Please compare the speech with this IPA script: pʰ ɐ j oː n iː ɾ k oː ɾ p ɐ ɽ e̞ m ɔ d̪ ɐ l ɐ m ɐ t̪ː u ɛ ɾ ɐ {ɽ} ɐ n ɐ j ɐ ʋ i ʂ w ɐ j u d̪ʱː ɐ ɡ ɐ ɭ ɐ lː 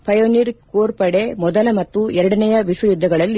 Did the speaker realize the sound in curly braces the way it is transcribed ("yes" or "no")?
yes